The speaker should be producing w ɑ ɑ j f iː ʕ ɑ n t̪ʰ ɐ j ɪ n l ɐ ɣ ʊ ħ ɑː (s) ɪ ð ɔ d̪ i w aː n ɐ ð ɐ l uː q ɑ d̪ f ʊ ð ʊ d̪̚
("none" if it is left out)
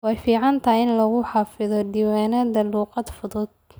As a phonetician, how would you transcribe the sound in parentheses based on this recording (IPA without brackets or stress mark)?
f